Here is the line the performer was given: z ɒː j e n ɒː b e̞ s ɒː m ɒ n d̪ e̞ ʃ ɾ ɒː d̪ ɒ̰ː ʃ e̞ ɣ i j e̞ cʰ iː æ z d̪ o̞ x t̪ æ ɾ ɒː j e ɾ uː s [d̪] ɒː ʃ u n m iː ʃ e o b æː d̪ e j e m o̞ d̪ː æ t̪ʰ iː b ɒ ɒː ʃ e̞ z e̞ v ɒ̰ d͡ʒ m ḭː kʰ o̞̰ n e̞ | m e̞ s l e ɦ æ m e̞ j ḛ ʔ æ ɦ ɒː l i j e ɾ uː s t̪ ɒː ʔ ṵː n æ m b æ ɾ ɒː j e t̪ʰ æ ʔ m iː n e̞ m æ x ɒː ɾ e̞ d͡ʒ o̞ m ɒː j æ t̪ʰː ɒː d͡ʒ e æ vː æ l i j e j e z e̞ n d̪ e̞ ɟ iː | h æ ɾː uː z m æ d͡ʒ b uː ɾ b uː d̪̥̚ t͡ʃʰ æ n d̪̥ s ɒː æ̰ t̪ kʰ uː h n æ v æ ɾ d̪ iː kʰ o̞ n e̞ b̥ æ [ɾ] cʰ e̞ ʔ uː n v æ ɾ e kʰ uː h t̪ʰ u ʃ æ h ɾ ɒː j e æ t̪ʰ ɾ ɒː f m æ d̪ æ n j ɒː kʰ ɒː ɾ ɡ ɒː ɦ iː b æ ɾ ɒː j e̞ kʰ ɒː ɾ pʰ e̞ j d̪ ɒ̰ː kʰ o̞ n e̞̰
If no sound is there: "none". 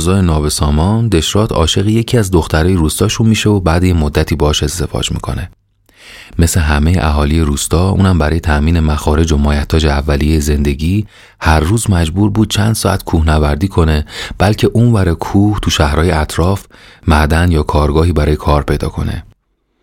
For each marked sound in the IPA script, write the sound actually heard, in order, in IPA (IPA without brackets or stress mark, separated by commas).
t̪, l